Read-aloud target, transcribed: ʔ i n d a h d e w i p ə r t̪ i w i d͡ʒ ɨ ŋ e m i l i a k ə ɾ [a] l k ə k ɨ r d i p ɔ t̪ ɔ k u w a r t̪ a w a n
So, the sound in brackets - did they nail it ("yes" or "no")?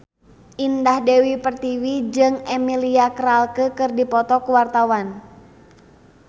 yes